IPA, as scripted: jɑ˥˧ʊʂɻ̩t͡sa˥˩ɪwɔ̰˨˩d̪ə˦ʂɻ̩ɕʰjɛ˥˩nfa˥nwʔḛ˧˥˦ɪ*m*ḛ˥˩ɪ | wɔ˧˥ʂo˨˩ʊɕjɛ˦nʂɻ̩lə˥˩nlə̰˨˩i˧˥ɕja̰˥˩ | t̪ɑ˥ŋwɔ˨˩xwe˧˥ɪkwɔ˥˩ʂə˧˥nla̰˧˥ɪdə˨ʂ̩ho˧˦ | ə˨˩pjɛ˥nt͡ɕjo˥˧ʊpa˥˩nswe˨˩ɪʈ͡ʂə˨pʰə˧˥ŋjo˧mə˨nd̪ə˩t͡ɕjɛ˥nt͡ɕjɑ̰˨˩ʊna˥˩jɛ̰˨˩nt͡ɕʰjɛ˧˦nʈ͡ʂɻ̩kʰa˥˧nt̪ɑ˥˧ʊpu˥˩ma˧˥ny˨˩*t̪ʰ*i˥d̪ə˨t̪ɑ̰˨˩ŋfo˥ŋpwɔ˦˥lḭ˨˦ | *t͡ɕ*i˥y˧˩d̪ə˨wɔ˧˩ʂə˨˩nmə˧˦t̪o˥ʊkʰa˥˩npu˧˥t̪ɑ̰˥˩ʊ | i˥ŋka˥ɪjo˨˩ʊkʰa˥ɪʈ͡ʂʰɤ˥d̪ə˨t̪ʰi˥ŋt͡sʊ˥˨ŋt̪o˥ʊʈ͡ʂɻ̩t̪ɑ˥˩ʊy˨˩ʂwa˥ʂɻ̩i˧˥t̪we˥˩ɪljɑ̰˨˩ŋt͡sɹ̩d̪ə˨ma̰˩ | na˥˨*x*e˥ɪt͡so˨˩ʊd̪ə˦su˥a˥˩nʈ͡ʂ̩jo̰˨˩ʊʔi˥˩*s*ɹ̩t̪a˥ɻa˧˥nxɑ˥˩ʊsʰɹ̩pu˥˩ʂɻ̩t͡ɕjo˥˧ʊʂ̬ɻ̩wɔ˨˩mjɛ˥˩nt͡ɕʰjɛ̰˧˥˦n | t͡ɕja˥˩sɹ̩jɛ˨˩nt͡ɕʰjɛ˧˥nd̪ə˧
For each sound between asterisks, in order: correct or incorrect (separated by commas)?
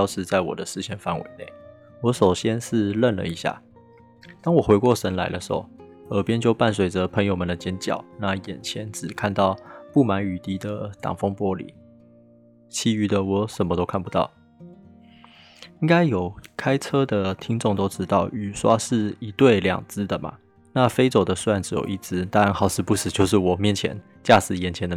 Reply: incorrect, incorrect, incorrect, incorrect, incorrect